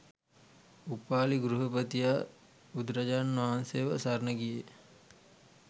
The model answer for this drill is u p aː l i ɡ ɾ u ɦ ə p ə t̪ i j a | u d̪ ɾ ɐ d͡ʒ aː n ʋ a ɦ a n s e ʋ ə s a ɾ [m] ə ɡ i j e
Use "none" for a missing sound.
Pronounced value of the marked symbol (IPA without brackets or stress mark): n